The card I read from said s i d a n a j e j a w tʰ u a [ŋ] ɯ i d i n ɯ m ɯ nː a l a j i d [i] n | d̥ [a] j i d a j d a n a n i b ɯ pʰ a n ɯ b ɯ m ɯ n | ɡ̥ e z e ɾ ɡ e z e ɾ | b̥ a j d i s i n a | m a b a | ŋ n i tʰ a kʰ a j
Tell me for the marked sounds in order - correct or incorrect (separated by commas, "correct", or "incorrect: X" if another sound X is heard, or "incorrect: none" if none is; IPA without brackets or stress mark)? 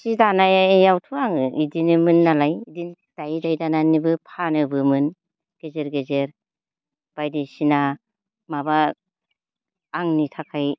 correct, correct, correct